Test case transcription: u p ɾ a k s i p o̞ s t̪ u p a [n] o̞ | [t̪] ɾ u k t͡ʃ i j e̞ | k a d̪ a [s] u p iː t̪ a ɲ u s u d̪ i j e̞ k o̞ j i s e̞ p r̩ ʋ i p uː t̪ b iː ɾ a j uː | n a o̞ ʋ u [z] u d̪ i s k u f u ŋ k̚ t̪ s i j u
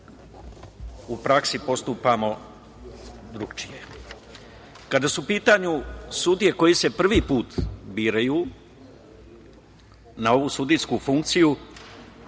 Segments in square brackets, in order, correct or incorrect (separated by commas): incorrect, incorrect, correct, incorrect